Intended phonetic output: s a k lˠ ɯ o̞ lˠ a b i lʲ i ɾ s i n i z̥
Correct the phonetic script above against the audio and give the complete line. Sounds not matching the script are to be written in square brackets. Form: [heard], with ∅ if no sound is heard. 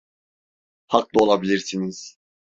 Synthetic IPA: [h] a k lˠ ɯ o̞ lˠ a b i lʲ i ɾ s i n i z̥